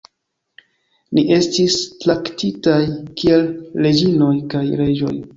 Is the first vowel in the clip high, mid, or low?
high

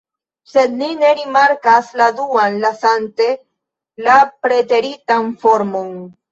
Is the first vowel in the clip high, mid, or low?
mid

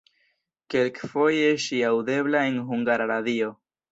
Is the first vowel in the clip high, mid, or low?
mid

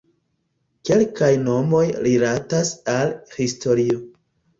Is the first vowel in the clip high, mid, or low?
mid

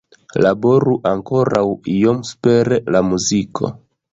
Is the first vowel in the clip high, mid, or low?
low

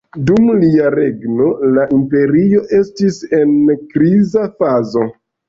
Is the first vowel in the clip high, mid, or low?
high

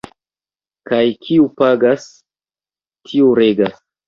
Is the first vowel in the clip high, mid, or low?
low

